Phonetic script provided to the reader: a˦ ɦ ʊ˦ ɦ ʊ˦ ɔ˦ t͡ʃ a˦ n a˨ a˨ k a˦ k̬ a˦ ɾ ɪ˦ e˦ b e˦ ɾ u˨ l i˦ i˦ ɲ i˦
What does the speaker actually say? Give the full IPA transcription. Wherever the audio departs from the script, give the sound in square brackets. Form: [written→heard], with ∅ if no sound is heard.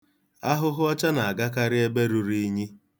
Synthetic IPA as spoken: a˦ ɦ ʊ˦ ɦ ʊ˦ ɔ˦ t͡ʃ a˦ n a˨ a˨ [k→ɡ] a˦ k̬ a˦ ɾ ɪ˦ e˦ b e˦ ɾ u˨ [l→ɾ] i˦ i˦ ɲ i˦